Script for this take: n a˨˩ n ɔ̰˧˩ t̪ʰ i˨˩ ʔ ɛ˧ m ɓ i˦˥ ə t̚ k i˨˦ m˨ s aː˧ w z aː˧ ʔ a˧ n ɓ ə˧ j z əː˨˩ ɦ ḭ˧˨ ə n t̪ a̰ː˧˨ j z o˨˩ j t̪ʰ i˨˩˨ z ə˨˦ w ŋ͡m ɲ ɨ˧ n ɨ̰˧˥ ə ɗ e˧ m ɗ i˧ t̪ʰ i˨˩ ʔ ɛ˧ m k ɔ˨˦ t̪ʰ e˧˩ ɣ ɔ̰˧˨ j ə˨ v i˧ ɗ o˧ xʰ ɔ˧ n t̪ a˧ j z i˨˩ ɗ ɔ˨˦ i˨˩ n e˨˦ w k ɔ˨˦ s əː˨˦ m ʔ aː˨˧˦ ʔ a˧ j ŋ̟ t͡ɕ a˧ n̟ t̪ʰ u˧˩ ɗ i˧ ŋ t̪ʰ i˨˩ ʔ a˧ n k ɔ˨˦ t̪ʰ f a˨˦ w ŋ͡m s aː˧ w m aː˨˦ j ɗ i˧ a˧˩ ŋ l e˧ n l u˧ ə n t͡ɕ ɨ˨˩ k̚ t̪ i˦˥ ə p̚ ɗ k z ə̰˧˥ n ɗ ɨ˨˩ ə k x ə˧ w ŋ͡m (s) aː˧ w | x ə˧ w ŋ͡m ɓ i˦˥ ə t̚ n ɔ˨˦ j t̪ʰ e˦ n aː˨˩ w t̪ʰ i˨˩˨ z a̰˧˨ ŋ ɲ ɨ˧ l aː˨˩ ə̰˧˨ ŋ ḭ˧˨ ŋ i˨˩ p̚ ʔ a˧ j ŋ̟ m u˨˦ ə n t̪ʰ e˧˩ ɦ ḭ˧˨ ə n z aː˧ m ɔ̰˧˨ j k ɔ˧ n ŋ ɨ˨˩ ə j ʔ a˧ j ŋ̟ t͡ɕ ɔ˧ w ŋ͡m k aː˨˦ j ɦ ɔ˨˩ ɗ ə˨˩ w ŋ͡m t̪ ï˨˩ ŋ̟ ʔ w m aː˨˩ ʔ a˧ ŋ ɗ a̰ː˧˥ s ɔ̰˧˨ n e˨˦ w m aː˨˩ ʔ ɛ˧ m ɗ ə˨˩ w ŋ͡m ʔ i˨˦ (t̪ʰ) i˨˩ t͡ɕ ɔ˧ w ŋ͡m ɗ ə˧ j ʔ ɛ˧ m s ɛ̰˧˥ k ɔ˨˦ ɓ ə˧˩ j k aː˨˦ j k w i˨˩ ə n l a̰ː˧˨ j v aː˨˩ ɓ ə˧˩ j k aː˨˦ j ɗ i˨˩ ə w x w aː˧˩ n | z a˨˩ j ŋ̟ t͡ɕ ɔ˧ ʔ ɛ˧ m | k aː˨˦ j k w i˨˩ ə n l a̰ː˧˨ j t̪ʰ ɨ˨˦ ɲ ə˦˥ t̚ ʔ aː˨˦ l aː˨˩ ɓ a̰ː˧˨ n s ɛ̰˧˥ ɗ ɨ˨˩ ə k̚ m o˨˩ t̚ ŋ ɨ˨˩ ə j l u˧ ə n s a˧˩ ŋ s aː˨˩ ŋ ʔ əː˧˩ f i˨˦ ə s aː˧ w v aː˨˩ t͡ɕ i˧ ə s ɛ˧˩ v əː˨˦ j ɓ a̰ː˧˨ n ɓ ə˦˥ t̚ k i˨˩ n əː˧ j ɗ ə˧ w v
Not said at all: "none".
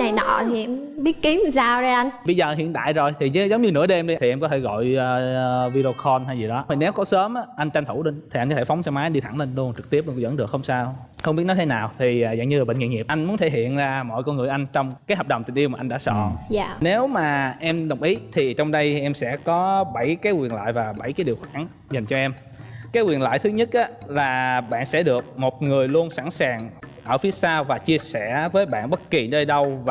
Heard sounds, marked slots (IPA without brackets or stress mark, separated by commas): s, t̪ʰ